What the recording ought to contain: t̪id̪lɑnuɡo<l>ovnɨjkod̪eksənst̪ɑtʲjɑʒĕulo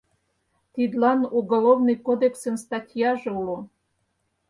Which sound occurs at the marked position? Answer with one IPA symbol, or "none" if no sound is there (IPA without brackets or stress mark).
l